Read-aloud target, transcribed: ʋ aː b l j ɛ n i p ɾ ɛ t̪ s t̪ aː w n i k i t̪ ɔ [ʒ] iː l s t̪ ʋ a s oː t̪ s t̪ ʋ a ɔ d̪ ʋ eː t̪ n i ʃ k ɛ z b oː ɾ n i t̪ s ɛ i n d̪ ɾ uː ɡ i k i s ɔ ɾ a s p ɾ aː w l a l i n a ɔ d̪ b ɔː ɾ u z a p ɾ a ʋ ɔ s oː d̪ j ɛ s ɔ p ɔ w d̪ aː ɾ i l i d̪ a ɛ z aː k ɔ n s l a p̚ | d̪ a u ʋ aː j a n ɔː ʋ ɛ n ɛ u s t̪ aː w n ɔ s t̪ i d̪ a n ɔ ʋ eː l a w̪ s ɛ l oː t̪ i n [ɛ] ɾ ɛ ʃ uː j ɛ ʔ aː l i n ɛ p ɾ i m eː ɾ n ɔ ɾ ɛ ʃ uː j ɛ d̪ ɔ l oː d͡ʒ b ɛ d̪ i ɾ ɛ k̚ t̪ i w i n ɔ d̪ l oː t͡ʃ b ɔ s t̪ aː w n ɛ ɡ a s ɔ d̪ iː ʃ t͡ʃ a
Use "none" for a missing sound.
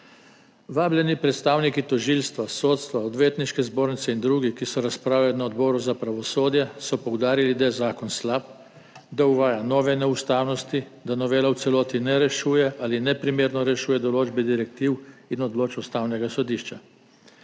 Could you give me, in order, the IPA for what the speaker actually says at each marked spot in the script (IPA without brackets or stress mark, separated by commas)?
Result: ʒ, ɛ